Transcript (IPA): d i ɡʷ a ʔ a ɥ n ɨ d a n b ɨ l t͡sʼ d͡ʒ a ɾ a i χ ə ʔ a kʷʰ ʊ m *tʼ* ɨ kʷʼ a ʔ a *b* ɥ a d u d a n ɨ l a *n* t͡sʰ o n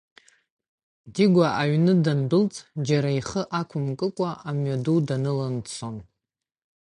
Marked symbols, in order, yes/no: no, no, yes

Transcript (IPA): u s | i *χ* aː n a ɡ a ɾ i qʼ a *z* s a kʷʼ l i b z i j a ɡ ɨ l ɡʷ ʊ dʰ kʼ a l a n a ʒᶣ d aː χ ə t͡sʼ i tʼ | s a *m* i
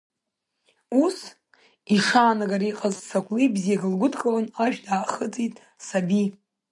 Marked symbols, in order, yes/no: no, yes, no

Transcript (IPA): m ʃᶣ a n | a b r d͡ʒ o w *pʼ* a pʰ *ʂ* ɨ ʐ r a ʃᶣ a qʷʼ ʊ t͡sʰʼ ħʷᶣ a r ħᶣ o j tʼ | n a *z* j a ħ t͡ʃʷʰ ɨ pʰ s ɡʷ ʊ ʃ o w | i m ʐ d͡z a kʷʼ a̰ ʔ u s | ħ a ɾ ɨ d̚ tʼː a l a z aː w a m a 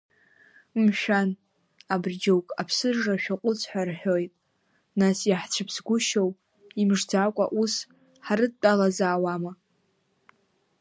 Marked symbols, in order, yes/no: no, no, no

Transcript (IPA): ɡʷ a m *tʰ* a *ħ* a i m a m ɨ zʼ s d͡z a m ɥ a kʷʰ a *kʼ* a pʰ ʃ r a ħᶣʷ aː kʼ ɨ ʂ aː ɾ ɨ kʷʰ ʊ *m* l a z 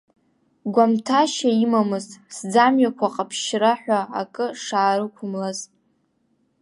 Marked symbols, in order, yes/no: yes, no, no, yes

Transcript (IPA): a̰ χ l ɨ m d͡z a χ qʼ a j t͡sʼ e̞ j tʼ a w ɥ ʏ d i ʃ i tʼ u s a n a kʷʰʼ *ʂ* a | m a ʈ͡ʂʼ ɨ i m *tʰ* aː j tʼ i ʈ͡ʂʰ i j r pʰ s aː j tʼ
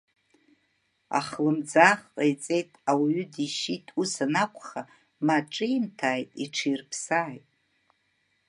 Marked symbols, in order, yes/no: no, yes

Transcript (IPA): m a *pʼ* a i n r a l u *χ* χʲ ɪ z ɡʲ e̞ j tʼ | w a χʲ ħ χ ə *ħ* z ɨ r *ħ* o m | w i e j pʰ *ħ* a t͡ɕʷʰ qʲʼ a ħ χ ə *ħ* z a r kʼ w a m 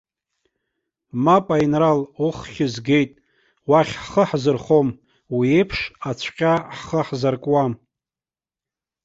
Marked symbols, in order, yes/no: yes, yes, yes, no, no, yes

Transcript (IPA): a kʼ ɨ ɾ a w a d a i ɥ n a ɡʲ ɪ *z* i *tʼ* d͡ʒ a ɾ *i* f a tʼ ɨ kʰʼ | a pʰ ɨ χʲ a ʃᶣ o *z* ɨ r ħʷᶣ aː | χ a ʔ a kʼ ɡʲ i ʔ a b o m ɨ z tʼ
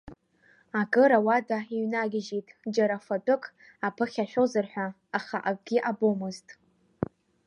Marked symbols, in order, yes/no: no, yes, no, yes

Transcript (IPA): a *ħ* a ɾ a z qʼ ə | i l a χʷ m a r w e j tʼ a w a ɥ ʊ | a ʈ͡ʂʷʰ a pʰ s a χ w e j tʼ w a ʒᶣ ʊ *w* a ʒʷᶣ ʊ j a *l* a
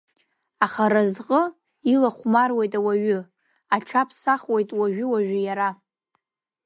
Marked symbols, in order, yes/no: no, yes, no

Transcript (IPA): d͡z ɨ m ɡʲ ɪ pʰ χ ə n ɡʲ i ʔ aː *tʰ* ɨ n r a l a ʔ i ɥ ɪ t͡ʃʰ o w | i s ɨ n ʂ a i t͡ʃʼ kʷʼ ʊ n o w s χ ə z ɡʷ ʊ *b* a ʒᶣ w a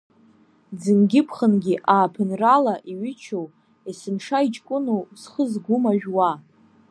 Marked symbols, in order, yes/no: no, no

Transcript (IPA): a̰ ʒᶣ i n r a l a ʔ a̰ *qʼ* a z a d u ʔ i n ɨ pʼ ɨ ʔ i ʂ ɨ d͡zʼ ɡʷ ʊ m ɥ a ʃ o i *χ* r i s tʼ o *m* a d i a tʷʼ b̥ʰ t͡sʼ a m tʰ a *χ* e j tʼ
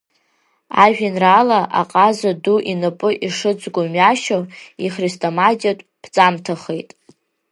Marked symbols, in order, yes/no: yes, yes, yes, yes

